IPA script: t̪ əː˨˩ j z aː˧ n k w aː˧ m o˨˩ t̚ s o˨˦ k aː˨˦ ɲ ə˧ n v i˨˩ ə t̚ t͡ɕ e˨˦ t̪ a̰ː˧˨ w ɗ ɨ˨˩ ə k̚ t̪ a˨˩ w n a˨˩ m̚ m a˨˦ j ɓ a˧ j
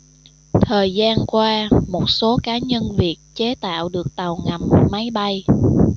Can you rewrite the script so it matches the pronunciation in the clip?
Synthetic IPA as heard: t̪ʰ əː˨˩ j z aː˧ n k w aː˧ m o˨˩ t̚ s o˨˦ k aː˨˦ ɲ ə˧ n v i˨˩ ə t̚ t͡ɕ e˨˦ t̪ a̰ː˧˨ w ɗ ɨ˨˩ ə k̚ t̪ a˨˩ w ŋ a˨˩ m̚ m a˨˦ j ɓ a˧ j